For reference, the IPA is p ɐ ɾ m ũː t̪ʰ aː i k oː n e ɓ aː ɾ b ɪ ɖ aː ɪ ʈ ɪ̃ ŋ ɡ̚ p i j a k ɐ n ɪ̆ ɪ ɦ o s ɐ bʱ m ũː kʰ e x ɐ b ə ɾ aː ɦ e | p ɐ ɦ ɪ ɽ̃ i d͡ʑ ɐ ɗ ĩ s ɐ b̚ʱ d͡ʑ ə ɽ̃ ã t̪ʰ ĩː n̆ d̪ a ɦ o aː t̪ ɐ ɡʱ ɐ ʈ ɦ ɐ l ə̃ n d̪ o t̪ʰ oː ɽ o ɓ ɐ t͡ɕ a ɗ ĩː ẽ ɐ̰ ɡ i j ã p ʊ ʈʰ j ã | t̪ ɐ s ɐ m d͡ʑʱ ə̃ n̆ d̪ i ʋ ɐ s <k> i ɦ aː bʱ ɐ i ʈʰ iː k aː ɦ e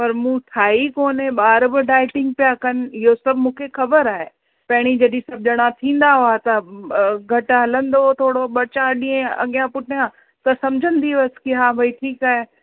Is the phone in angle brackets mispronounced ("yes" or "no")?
no